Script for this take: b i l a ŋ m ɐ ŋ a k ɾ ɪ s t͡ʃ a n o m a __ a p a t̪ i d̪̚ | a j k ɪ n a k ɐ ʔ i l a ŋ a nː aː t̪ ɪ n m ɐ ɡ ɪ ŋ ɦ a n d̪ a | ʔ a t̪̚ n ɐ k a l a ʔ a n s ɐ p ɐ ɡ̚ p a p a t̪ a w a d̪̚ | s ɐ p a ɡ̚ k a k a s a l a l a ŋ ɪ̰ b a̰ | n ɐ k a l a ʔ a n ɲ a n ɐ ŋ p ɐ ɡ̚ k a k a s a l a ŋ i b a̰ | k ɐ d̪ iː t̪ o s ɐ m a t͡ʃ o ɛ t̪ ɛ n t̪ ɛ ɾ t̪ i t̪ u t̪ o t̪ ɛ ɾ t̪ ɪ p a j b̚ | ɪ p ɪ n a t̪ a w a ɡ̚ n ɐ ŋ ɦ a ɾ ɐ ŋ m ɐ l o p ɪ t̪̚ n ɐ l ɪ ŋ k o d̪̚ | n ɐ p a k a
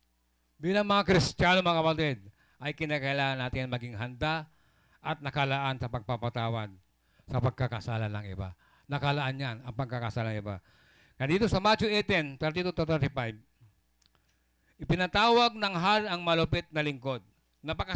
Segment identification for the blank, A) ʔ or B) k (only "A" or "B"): B